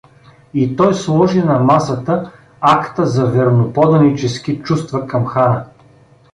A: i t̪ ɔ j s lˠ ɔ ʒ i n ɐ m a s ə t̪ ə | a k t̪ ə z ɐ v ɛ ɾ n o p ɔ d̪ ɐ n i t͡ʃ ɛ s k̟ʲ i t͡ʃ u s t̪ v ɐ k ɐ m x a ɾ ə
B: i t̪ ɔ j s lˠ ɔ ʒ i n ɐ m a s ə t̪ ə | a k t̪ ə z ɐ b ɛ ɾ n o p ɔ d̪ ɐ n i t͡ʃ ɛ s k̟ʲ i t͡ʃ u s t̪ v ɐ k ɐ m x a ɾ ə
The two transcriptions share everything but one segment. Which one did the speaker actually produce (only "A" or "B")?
A